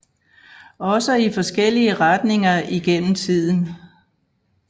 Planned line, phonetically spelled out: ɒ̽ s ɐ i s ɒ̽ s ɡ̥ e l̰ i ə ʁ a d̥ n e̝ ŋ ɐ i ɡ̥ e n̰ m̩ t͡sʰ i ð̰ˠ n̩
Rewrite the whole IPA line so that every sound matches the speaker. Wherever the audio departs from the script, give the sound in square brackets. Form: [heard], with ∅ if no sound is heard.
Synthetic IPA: ɒ̽ s [ə] i [f] ɒ̽ s ɡ̥ e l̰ i ə ʁ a d̥ n e̝ ŋ ɐ i ɡ̥ e n̰ m̩ t͡sʰ i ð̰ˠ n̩